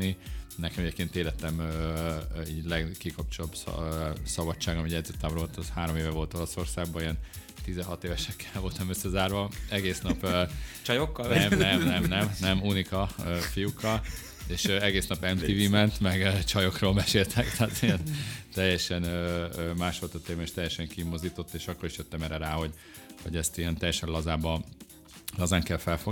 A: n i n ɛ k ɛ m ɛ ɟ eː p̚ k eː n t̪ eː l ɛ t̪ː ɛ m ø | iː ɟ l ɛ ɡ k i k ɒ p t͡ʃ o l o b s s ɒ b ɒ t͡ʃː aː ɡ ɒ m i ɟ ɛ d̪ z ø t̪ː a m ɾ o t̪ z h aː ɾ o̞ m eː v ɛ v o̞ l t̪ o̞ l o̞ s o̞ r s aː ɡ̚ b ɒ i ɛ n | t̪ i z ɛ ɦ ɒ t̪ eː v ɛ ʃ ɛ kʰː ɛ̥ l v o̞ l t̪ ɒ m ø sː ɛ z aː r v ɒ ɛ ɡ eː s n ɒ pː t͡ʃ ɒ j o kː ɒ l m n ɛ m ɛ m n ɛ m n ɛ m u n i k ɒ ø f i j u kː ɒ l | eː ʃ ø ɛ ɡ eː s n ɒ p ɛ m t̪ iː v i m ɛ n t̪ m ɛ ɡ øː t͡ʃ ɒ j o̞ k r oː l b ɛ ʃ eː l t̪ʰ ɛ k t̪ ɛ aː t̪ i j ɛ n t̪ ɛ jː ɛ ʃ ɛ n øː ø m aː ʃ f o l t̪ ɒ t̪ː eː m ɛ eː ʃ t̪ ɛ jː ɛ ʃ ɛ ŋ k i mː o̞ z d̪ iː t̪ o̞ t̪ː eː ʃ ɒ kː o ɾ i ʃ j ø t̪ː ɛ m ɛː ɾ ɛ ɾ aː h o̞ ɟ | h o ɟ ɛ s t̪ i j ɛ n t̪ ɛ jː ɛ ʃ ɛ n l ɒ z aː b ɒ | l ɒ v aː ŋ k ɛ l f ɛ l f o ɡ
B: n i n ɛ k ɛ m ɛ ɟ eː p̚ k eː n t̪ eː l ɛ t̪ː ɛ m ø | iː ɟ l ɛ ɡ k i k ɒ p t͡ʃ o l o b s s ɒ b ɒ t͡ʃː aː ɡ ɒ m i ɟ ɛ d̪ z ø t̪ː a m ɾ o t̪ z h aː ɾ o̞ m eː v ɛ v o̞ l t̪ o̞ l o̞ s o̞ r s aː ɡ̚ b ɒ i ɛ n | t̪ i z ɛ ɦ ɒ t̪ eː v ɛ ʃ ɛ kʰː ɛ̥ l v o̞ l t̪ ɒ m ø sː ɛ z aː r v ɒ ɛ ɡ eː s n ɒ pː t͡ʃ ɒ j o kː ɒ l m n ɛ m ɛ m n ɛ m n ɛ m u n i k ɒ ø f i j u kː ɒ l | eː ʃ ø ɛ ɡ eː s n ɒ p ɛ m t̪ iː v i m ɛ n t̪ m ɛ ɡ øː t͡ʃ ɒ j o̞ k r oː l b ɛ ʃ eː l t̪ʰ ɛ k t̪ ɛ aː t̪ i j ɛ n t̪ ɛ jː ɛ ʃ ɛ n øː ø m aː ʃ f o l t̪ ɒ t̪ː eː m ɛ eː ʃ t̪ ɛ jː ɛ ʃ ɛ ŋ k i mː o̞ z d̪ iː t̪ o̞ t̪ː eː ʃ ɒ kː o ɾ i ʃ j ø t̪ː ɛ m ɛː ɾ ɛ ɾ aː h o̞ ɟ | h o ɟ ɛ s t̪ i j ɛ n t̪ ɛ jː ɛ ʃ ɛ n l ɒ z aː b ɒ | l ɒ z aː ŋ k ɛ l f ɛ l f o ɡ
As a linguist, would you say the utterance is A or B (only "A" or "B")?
B